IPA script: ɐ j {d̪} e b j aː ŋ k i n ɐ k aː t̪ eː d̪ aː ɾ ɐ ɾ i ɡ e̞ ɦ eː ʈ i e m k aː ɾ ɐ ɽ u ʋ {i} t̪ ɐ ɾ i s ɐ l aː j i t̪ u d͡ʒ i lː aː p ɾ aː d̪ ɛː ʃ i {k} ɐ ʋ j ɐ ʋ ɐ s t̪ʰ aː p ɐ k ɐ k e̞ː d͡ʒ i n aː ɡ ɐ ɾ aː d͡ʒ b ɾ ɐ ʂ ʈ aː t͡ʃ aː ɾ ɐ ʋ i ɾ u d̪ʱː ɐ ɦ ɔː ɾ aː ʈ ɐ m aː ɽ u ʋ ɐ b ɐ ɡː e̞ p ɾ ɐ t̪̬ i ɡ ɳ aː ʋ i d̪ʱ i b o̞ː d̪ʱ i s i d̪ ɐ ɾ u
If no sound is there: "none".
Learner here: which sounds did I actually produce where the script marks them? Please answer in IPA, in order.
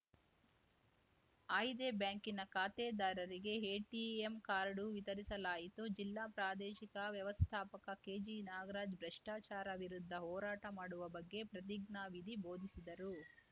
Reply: d̪, i, k

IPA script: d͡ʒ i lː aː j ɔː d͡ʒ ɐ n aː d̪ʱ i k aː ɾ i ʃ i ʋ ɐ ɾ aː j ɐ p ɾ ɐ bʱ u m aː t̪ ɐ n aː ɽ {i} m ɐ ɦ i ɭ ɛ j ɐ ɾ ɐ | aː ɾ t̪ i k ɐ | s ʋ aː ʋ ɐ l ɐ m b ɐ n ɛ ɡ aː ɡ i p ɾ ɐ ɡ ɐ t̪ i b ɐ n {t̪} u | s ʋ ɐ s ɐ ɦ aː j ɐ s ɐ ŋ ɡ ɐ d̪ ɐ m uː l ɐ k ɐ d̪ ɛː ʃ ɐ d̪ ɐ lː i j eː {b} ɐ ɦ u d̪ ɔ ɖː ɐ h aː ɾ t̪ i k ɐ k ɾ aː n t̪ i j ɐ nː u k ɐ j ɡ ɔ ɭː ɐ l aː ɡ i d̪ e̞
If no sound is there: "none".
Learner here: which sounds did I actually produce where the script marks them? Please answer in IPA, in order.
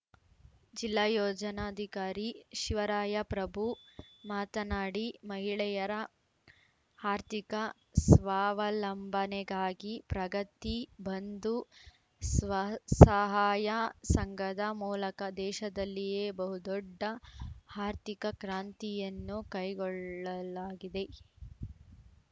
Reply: i, d̪, b

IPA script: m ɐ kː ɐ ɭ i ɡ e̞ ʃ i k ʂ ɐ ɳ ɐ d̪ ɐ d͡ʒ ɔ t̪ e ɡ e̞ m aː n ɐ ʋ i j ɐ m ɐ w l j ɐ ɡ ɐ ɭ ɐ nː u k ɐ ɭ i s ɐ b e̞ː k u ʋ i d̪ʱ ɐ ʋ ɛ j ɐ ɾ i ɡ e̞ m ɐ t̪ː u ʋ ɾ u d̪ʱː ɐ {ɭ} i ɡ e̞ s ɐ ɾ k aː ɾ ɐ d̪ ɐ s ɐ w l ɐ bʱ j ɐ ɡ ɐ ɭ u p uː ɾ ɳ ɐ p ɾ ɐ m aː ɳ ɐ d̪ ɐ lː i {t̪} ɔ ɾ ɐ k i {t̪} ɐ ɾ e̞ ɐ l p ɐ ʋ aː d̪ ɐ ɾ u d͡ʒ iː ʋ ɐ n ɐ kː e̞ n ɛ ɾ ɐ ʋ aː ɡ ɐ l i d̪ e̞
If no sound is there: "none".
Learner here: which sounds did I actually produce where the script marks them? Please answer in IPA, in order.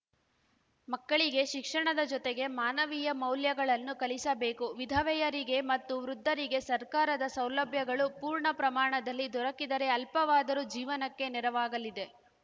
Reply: ɾ, d̪, d̪

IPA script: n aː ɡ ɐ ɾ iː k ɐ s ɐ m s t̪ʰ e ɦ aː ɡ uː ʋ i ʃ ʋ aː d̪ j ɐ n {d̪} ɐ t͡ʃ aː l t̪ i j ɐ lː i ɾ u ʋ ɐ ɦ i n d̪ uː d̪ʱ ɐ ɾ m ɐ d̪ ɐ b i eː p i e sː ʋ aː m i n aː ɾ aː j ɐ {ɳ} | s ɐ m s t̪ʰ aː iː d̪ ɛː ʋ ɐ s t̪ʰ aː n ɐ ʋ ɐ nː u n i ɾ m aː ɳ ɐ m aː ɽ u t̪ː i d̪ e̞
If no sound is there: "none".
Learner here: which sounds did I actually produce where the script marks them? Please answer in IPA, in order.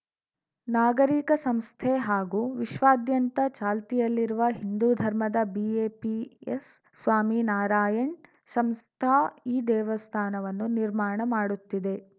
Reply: t̪, ɳ

